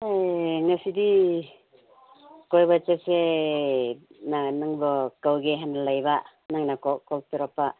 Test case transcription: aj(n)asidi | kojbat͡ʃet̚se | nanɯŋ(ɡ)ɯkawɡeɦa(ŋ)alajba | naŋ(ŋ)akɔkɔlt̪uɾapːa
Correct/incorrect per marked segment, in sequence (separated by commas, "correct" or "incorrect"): incorrect, incorrect, incorrect, incorrect